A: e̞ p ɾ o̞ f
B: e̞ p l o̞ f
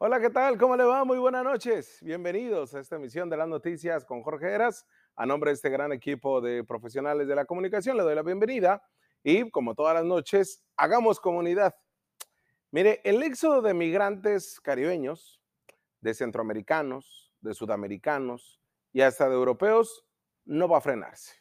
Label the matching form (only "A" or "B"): A